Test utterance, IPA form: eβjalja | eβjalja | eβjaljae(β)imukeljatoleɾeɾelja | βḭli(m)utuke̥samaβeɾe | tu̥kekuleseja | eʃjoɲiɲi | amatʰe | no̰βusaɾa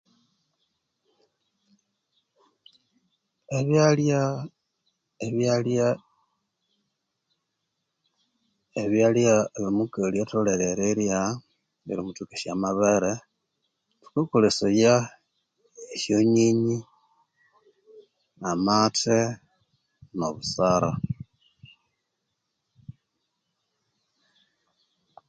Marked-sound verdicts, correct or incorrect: correct, correct

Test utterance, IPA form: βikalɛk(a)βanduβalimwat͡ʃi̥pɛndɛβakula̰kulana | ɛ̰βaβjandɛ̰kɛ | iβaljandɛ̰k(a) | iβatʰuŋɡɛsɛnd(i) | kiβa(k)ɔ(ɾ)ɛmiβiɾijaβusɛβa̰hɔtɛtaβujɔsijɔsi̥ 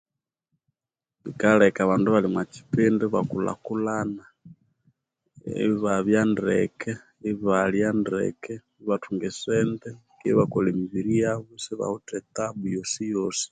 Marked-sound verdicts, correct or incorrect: correct, incorrect, incorrect, correct, incorrect

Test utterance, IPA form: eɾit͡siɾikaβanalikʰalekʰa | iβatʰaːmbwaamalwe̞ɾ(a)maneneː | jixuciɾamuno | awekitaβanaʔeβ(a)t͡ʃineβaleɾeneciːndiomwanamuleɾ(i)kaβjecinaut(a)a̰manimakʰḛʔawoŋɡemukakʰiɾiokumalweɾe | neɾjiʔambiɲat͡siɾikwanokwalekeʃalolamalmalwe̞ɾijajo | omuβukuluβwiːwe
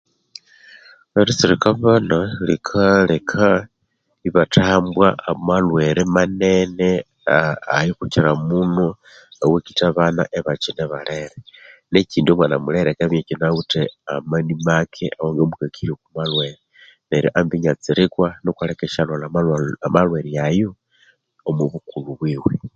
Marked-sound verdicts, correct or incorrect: incorrect, correct, incorrect, incorrect

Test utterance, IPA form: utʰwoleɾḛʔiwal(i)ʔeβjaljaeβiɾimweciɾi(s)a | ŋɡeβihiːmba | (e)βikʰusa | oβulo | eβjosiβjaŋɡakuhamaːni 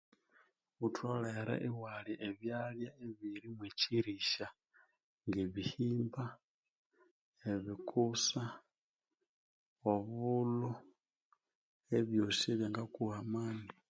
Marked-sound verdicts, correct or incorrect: correct, incorrect, correct

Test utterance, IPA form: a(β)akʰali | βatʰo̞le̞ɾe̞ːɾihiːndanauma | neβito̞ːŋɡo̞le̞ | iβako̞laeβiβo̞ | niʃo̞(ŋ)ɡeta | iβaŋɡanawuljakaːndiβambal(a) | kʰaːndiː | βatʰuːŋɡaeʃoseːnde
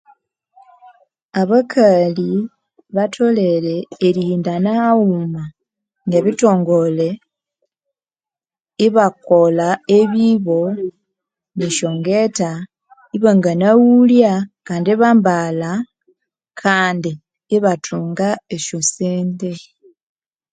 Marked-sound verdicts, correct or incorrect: correct, correct, correct

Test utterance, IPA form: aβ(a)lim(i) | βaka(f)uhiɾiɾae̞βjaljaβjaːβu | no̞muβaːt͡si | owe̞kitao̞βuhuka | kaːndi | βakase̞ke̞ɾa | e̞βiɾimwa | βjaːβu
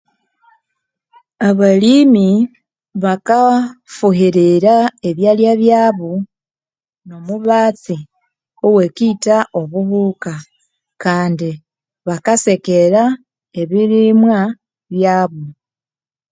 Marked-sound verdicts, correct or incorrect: correct, correct, correct

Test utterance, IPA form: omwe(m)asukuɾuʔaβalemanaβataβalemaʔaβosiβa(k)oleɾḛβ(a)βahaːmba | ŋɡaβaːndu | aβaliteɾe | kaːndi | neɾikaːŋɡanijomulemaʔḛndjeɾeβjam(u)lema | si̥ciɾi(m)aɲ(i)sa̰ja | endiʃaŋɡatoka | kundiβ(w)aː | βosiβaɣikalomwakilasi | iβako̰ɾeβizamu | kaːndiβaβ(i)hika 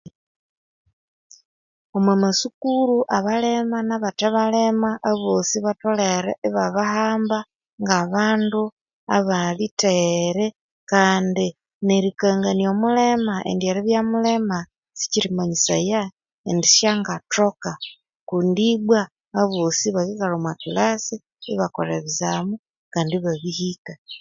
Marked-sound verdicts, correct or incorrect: correct, incorrect, correct, correct, correct, correct, correct, correct

